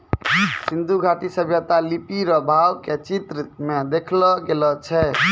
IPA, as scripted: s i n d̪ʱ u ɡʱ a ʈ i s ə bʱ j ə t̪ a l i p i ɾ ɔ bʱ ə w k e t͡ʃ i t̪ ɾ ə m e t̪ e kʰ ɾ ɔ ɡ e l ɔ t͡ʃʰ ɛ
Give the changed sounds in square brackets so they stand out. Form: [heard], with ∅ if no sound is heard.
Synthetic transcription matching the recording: s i n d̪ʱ u ɡʱ a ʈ i s ə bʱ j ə t̪ a l i p i ɾ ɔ bʱ [a] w k e t͡ʃ i t̪ ɾ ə m e [d̪] e kʰ [l] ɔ ɡ e l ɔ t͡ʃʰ ɛ